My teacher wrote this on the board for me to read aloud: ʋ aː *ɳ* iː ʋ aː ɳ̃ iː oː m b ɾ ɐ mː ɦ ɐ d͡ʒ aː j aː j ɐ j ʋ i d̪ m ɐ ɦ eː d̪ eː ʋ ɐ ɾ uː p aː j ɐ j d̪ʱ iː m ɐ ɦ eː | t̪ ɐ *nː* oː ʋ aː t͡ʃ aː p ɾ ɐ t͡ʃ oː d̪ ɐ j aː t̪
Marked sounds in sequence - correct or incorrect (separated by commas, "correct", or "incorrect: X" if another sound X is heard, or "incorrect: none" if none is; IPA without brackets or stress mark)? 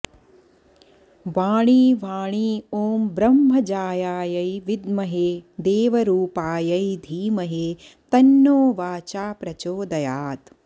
correct, correct